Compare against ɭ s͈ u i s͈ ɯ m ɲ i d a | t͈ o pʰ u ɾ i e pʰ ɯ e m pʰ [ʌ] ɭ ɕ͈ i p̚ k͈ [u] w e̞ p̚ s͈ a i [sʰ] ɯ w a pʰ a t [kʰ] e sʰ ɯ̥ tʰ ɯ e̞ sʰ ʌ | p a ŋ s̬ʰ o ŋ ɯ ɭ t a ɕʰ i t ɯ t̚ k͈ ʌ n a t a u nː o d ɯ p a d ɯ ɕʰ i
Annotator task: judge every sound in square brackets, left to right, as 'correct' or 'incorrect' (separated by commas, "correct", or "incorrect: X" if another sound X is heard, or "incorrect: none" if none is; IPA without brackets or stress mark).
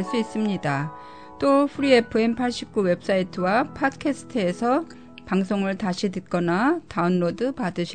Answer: incorrect: a, correct, incorrect: tʰ, correct